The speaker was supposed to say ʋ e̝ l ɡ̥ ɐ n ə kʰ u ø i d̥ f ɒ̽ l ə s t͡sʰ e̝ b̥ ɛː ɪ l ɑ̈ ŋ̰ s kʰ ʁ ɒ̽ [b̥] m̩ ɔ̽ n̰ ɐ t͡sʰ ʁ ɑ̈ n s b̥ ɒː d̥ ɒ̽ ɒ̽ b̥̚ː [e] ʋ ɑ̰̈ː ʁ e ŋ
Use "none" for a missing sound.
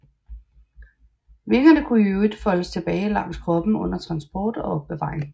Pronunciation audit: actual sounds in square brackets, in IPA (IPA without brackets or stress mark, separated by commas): b̥, e